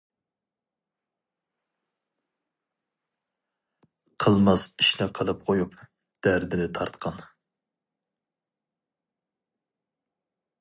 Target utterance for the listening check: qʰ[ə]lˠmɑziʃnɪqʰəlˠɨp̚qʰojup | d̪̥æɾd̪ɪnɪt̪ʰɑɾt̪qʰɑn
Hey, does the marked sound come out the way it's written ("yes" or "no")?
yes